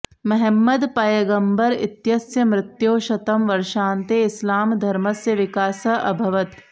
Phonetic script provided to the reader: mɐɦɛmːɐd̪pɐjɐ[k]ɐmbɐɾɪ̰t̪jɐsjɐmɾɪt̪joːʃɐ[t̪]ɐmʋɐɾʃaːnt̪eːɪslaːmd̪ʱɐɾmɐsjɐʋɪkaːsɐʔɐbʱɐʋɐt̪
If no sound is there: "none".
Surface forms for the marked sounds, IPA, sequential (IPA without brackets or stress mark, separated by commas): ɡ, t̪